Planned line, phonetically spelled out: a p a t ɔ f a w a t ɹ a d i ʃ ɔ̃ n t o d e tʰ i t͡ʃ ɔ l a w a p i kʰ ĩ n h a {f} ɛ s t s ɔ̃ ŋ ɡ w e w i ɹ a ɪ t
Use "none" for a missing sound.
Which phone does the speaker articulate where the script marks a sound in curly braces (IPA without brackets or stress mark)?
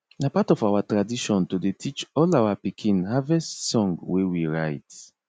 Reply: v